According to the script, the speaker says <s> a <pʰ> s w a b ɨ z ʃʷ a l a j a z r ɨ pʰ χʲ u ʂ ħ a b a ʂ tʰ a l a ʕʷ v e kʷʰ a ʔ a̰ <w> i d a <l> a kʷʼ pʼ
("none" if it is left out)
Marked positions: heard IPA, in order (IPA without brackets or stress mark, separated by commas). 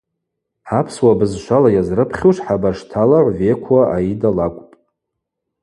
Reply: ħ, pʰ, none, l